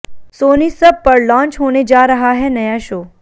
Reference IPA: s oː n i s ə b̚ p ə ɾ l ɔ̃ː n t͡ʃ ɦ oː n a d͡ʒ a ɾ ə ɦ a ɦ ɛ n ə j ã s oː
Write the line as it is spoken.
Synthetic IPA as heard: s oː n i s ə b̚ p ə ɾ l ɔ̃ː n t͡ʃ ɦ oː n e d͡ʒ a ɾ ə ɦ a ɦ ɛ n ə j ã ʃ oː